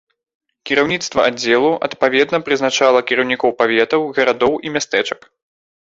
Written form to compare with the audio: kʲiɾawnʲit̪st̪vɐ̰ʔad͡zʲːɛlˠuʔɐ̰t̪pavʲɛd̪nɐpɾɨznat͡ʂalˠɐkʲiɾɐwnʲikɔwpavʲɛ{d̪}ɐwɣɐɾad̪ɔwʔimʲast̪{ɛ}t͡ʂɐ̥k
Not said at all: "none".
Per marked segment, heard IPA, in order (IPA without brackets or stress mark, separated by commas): t̪, ɛ